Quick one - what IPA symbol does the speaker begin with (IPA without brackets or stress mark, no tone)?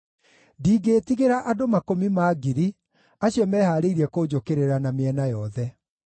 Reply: d